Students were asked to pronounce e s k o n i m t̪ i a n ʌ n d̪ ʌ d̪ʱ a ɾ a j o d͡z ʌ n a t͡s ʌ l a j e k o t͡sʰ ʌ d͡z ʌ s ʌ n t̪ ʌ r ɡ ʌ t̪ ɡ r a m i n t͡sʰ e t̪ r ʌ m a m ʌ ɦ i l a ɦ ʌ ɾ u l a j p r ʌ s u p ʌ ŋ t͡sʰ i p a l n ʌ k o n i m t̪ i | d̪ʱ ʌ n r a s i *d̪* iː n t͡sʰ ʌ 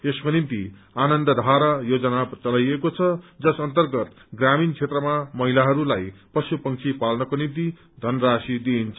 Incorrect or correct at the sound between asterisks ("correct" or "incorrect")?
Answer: correct